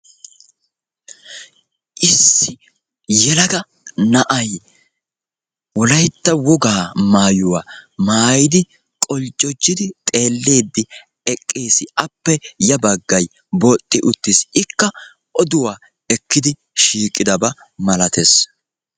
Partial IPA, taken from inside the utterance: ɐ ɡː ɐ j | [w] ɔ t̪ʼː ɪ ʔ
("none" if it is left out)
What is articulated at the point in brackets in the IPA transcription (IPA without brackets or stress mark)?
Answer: b